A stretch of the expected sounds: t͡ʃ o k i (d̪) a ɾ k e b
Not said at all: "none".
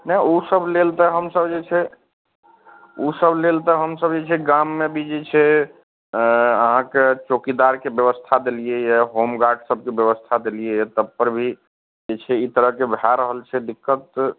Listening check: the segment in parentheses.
d̪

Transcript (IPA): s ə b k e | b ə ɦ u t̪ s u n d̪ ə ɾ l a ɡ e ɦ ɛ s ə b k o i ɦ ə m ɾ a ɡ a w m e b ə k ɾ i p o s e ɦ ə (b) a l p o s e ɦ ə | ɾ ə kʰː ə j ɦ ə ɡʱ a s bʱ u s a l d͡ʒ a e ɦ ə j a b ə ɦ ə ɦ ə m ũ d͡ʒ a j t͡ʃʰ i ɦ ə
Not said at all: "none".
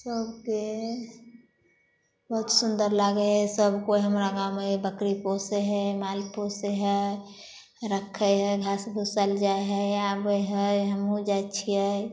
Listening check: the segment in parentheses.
m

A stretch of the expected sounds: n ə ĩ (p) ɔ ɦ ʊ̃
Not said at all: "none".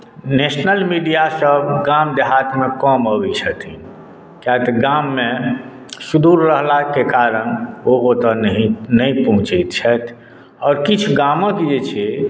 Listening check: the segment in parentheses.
p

